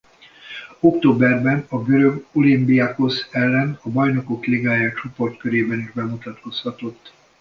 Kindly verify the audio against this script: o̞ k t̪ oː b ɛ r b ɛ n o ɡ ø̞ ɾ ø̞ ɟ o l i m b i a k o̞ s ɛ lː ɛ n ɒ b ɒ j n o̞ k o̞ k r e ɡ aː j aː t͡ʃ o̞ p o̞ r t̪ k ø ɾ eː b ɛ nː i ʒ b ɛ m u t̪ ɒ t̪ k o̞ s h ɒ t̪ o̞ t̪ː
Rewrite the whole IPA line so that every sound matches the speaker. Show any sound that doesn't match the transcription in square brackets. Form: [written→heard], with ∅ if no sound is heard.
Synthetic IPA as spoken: o̞ k t̪ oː b ɛ r b ɛ n [o→ɒ] ɡ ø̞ ɾ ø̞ [ɟ→ɡ] o l i m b i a k o̞ s ɛ lː ɛ n ɒ b ɒ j n o̞ k o̞ k [r→l] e ɡ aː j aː t͡ʃ o̞ p o̞ r t̪ k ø ɾ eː b ɛ [nː→n] i ʒ b ɛ m u t̪ ɒ t̪ k o̞ s h ɒ t̪ o̞ t̪ː